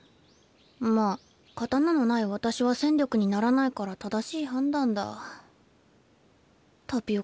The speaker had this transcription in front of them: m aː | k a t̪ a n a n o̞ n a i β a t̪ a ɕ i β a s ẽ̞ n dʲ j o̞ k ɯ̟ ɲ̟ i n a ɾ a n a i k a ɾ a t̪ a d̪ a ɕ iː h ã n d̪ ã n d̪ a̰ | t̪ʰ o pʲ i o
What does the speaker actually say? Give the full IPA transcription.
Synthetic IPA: m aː | k a t̪ a n a n o̞ n a i β a t̪ a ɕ i β a s ẽ̞ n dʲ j o̞ k ɯ̟ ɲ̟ i n a ɾ a n a i k a ɾ a t̪ a d̪ a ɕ iː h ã n d̪ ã n d̪ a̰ | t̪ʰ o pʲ i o